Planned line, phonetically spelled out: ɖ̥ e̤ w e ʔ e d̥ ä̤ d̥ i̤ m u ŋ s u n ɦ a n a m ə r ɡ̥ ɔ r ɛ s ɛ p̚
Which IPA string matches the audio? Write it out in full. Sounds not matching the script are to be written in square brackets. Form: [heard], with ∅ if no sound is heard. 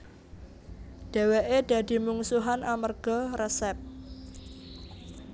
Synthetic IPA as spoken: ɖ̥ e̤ w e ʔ e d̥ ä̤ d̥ i̤ m u ŋ s u [∅] ɦ a n a m ə r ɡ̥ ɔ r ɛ s ɛ p̚